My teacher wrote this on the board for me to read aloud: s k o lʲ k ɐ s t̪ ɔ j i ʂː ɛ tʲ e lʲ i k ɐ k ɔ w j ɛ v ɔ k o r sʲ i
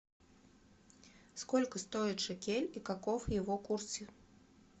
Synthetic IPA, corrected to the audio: s k ɔ lʲ k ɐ s t̪ ɔ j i ʂ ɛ kʲ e lʲ i k a k ɔ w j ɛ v ɔ k u r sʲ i